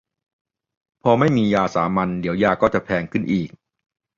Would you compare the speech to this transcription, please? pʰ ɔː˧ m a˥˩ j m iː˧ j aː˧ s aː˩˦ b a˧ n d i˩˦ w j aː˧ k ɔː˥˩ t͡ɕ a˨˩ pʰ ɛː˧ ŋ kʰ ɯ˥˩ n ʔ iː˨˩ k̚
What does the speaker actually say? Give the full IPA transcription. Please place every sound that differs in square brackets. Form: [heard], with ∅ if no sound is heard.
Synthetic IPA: pʰ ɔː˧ m a˥˩ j m iː˧ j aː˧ s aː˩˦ [m] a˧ n d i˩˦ w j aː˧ k ɔː˥˩ t͡ɕ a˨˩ pʰ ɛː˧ ŋ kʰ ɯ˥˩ n ʔ iː˨˩ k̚